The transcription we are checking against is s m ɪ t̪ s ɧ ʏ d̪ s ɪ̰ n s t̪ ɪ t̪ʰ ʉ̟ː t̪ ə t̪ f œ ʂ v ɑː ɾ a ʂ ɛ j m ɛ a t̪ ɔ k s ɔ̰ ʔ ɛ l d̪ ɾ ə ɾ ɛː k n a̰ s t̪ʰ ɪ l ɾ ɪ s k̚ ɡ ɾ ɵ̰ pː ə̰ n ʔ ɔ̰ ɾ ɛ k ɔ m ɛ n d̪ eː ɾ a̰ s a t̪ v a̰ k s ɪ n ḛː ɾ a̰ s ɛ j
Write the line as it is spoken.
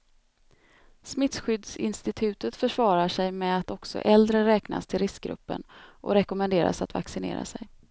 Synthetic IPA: s m ɪ t̪ s ɧ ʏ d̪ s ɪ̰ n s t̪ ɪ t̪ʰ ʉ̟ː t̪ ə t̪ f œ ʂ v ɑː ɾ a ʂ ɛ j m ɛ a t̪ ɔ k s ɔ̰ ʔ ɛ l d̪ ɾ ə ɾ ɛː k n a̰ s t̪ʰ ɪ l ɾ ɪ s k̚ ɡ ɾ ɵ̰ pː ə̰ n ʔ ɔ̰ ɾ ɛ k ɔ m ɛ n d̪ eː ɾ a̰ s a t̪ v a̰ k s ɪ n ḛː ɾ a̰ s ɛ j

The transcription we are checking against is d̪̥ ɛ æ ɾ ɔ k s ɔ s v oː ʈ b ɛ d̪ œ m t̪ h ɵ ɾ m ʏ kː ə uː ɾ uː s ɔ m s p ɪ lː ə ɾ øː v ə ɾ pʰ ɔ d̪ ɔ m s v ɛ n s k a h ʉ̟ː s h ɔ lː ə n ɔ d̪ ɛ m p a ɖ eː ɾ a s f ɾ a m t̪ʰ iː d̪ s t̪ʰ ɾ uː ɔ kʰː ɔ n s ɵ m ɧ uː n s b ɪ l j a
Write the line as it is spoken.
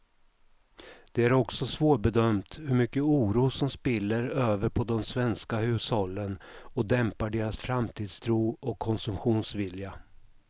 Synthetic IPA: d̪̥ ɛ æ ɾ ɔ k s ɔ s v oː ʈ b ɛ d̪ œ m t̪ h ɵ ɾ m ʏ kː ə uː ɾ uː s ɔ m s p ɪ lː ə ɾ øː v ə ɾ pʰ ɔ d̪ ɔ m s v ɛ n s k a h ʉ̟ː s h ɔ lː ə n ɔ d̪ ɛ m p a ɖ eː ɾ a s f ɾ a m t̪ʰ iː d̪ s t̪ʰ ɾ uː ɔ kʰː ɔ n s ɵ m ɧ uː n s v ɪ l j a

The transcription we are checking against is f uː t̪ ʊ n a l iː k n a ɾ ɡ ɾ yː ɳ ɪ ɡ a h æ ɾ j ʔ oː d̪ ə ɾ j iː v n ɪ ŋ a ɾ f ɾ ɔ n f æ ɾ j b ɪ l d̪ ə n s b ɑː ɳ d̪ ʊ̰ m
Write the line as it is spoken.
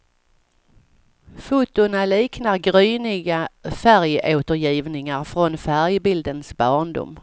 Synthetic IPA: f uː t̪ ʊ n a l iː k n a ɾ ɡ ɾ yː n ɪ ɡ a f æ ɾ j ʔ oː t̪ ə ɾ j iː v n ɪ ŋ a ɾ f ɾ ɔ n f æ ɾ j b ɪ l d̪ ə n s b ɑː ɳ d̪ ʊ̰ m

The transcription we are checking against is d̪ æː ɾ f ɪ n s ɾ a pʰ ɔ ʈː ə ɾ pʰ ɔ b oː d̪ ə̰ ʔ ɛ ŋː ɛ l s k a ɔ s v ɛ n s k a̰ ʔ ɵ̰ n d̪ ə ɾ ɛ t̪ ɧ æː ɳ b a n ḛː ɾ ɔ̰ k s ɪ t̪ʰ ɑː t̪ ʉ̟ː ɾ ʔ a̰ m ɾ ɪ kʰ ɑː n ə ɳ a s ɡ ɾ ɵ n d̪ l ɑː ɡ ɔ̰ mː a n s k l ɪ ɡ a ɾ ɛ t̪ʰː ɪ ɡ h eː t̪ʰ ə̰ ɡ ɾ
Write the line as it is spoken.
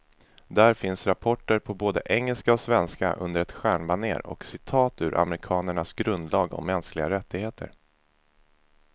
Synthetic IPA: d̪ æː ɾ f ɪ n s ɾ a pʰ ɔ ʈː ə ɾ pʰ ɔ b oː d̪ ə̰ ʔ ɛ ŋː ɛ l s k a ɔ s v ɛ n s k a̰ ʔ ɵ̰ n d̪ ə ɾ ɛ t̪ ɧ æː ɳ b a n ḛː ɾ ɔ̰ k s ɪ t̪ʰ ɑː t̪ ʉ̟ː ɾ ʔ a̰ m ɾ ɪ kʰ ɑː n ə ɳ a s ɡ ɾ ɵ n d̪ l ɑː ɡ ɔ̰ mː ɛ n s k l ɪ ɡ a ɾ ɛ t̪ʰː ɪ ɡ h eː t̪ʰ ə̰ ɾ

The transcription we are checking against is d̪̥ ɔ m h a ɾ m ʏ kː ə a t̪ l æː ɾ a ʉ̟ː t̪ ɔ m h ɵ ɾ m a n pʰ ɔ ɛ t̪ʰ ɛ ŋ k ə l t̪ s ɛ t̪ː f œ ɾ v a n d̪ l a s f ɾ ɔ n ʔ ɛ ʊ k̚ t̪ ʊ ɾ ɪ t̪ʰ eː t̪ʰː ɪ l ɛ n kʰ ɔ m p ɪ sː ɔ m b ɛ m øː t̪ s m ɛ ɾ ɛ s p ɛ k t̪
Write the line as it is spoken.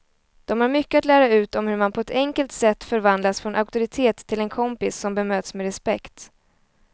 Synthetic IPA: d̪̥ ɔ m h a ɾ m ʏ kː ə a t̪ l æː ɾ a ʉ̟ː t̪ ɔ m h ɵ ɾ m a n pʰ ɔ ɛ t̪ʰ ɛ ŋ k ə l t̪ s ɛ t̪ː f œ ɾ v a n d̪ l a s f ɾ ɔ n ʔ a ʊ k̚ t̪ ʊ ɾ ɪ t̪ʰ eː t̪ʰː ɪ l ɛ n kʰ ɔ m p ɪ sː ɔ m b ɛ m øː t̪ s m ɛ ɾ ɛ s p ɛ k t̪

